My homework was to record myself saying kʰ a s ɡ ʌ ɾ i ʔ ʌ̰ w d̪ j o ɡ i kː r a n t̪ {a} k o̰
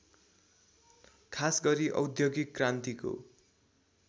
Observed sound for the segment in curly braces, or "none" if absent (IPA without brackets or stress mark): i